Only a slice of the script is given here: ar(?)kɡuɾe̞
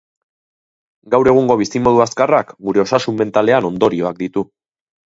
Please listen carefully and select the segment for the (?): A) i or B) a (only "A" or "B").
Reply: B